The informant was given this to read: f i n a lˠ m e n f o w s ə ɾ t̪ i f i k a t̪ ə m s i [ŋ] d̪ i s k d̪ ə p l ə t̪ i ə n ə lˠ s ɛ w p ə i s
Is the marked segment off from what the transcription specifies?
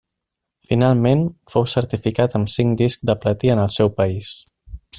no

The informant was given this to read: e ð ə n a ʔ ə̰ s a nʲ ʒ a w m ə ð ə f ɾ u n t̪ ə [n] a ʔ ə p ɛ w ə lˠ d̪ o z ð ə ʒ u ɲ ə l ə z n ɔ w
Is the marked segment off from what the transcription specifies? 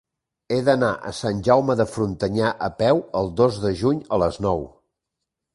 yes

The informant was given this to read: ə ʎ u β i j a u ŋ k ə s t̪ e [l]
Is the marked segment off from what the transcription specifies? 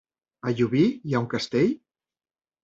yes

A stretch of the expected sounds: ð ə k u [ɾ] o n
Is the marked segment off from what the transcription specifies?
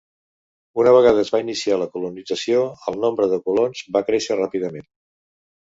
yes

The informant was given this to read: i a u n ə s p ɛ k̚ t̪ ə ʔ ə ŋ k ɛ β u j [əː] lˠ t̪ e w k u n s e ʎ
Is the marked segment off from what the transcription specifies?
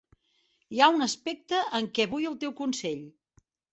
yes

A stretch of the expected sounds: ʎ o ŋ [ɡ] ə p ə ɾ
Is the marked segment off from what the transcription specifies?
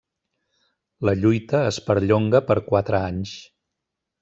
no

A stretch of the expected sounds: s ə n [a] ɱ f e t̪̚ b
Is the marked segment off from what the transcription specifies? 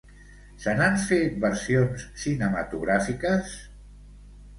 no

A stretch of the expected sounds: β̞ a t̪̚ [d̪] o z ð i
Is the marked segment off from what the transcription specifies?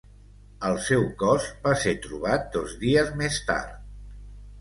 no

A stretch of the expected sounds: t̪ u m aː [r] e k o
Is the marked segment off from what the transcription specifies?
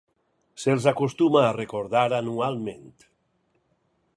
no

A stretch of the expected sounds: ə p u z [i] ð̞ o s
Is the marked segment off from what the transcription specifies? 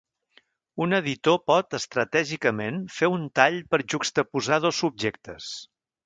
yes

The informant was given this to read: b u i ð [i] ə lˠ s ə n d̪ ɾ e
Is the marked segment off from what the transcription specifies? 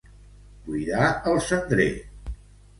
yes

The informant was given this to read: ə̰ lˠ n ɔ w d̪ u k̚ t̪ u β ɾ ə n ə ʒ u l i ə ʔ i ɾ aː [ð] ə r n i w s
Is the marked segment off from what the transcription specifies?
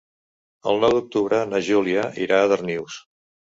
no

